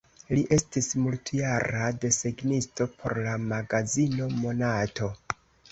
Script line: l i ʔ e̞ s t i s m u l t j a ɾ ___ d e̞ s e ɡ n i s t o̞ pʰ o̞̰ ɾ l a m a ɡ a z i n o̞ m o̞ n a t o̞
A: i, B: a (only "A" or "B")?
B